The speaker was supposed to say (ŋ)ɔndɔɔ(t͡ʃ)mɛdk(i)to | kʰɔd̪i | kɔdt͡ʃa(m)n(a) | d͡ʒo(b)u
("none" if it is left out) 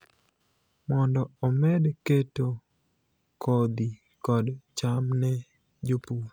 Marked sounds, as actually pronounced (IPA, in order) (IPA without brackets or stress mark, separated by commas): m, none, e, m, ɛ, p